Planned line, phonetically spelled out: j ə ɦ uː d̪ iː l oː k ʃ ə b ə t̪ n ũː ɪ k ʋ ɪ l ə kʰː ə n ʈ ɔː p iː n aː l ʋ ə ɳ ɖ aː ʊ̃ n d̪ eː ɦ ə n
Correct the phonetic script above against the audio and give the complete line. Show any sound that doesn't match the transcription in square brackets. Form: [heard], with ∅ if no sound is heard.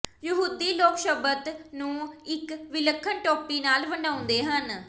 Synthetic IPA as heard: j ə ɦ uː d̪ iː l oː k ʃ ə b ə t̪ n ũː ɪ k ʋ ɪ l ə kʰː ə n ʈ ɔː p iː n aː l ʋ ə ɳ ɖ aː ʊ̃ n d̪ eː ɦ ə n